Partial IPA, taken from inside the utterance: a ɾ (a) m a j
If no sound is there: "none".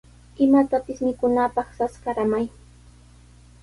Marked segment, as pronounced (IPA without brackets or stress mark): a